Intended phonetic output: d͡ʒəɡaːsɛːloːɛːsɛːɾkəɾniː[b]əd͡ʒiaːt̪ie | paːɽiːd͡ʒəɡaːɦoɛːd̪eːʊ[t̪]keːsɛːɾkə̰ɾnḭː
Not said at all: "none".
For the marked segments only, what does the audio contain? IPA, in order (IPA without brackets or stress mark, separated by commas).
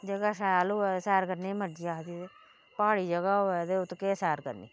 m, t̪